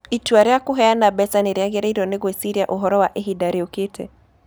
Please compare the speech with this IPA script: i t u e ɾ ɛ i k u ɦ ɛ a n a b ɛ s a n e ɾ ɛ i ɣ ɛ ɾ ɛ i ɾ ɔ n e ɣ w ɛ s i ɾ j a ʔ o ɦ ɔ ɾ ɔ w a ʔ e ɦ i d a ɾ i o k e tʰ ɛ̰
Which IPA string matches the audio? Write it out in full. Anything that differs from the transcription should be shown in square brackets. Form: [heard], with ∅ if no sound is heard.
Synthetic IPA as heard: i t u [a] ɾ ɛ [a] k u ɦ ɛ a n a b ɛ s a n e ɾ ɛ [a] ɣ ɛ ɾ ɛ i ɾ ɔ n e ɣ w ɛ s i ɾ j a ʔ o ɦ ɔ ɾ ɔ w a ʔ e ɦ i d a ɾ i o k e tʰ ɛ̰

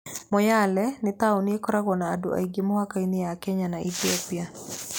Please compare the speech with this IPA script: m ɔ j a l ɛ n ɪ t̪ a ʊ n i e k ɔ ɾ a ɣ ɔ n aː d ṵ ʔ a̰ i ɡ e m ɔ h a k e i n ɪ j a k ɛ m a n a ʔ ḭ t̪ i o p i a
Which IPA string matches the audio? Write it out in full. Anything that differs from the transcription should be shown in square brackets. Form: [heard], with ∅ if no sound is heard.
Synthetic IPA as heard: m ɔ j a l ɛ n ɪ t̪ a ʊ n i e k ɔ ɾ a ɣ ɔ n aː d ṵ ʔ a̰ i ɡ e m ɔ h a k [a] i n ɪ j a k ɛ [ɲ] a n a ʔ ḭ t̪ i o p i a

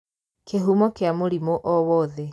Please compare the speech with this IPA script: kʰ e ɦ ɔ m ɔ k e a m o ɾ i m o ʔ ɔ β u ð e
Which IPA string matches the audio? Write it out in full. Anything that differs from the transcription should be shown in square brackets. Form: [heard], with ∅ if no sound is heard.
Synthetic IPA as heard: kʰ e ɦ [u] m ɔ k e a m o ɾ i m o ʔ ɔ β [ɔ] ð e

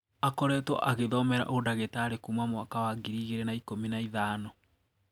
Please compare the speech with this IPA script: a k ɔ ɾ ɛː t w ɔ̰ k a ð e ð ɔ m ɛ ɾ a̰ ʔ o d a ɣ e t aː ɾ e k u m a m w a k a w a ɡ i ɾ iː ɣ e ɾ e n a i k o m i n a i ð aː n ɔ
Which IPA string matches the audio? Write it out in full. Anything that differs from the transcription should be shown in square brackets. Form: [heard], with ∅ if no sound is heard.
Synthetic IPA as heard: a k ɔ ɾ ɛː t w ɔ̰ [ʔ] a [ɣ] e ð ɔ m ɛ ɾ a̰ ʔ o d a ɣ e t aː ɾ e k u m a m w a k a w a ɡ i ɾ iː ɣ e ɾ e n a i k o m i n a i ð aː n ɔ

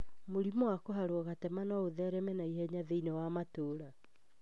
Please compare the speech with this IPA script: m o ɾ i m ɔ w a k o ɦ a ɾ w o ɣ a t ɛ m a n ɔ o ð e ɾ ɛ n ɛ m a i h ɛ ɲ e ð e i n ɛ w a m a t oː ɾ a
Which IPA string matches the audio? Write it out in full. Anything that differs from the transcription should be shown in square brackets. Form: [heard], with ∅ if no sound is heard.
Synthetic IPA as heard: m o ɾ i m ɔ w a k o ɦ a ɾ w [ɔ] ɣ a t ɛ m a n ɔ o ð [ɛ] ɾ ɛ [m] ɛ [n] a i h ɛ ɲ [a] ð e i n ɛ w a m a t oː ɾ a

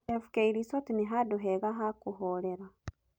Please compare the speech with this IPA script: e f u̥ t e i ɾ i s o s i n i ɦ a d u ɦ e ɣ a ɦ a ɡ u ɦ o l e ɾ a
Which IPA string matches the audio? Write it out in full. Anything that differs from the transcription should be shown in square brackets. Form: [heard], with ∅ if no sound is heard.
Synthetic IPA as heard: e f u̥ [k] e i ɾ i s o [t] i n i ɦ a d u ɦ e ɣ a ɦ a [k] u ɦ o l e ɾ a

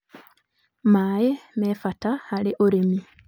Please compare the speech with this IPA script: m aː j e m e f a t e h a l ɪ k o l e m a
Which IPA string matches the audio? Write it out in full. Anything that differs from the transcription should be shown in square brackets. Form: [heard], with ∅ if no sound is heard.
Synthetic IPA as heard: m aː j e m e f a t [a] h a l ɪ [ʔ] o [ɾ] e m [i]

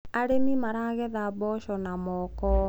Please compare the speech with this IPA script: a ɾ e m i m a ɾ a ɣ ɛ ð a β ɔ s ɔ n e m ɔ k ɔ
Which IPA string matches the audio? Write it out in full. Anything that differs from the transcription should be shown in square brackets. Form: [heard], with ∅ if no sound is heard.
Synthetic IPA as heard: a ɾ e m i m a ɾ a ɣ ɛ ð a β ɔ [ʃ] ɔ n [a] m ɔ k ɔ

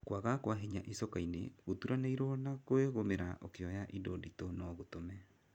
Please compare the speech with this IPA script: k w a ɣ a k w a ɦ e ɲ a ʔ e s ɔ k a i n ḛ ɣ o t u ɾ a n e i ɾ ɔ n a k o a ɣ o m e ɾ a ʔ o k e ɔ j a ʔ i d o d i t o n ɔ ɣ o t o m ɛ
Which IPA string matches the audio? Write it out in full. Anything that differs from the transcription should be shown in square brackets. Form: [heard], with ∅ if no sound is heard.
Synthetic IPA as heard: k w a ɣ a k w a ɦ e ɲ a ʔ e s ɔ k a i n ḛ ɣ o t u ɾ a n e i ɾ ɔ n a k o [e] ɣ o m e ɾ a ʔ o k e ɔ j a ʔ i d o d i t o n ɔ ɣ o t o m ɛ

